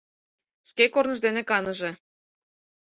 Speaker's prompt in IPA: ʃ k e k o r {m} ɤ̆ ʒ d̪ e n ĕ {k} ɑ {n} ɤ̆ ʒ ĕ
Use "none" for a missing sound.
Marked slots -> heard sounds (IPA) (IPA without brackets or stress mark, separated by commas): n, k, n